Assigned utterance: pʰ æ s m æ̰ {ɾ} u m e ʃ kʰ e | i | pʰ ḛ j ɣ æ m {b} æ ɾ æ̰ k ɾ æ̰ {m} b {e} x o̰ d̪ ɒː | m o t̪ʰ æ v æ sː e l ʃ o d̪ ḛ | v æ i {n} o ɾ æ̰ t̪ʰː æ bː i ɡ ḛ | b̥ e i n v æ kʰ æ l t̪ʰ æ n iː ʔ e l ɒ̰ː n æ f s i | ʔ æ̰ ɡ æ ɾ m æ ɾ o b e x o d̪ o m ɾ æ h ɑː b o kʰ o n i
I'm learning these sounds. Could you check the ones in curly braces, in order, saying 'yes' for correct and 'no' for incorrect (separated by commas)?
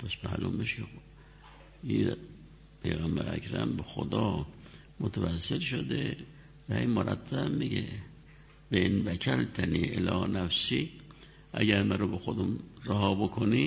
no, yes, yes, yes, no